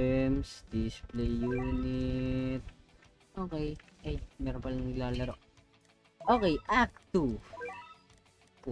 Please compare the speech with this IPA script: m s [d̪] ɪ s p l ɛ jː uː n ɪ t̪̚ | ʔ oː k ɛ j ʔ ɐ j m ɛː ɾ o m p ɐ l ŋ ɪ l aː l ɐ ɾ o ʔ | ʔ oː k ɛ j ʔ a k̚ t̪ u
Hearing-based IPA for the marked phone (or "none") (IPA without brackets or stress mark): d̪